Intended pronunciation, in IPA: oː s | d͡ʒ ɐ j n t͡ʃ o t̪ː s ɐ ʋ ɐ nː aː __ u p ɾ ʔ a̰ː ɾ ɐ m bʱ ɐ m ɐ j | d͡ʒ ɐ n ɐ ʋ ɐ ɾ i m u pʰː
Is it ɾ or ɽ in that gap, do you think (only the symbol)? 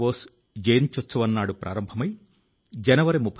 ɽ